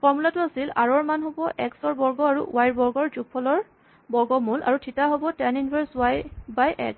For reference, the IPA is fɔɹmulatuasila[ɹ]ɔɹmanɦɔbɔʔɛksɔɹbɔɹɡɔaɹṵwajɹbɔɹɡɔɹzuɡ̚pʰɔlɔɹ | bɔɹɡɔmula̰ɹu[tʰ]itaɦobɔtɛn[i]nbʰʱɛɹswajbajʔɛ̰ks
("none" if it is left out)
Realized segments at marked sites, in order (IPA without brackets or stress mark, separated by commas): ɹ, tʰ, i